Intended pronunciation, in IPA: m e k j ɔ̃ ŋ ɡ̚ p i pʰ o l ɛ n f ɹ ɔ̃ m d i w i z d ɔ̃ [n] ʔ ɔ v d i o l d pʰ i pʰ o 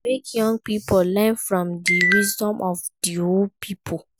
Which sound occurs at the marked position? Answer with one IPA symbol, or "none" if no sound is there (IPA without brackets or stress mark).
m